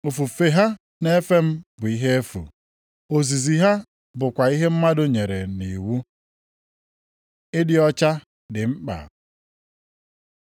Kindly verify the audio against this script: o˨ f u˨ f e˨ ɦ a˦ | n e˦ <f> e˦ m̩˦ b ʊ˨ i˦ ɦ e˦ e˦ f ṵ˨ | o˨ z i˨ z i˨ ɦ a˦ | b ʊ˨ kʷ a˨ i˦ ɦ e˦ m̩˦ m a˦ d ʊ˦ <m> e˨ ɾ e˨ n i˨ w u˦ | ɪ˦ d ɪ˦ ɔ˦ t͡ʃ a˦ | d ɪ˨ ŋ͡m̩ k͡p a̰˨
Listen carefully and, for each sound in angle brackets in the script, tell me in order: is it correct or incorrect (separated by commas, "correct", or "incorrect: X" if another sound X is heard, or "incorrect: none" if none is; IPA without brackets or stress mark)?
correct, incorrect: ɲ